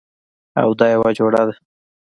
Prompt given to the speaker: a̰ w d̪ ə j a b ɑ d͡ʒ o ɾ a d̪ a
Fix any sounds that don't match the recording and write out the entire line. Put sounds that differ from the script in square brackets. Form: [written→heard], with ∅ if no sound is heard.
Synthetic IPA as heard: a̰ w d̪ [ə→ɑ] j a [b→w] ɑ d͡ʒ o [ɾ→ɽ] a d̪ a